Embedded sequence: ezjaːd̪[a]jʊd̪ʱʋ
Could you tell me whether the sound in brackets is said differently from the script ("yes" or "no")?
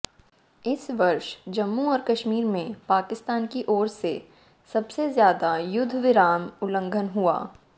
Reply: no